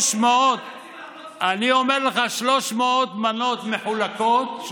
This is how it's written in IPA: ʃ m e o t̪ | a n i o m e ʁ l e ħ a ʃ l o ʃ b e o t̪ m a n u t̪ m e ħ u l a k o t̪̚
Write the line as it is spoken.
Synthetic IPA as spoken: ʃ m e o t̪ | a n i o m e ʁ l e χ a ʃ l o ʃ m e o t̪ m a n o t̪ m e ħ u l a k o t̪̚